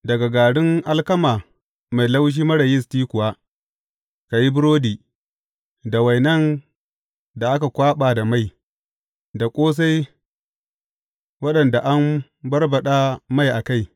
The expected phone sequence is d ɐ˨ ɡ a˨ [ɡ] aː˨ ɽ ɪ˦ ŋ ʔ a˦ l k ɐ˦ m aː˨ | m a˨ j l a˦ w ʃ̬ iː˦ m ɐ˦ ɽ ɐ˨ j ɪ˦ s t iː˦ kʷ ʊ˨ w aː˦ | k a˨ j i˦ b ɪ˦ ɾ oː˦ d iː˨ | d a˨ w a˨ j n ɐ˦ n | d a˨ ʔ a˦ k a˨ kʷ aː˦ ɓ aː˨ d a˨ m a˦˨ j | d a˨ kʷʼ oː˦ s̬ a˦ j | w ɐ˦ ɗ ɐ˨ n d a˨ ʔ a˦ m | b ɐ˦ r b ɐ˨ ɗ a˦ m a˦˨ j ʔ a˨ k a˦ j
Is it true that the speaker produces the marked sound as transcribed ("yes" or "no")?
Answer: yes